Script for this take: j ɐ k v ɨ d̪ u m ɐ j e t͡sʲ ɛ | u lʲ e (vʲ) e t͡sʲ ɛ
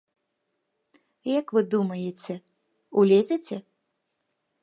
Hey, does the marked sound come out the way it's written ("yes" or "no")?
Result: no